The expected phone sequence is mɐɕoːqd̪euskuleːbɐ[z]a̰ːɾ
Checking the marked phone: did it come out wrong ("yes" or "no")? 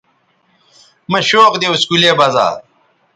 no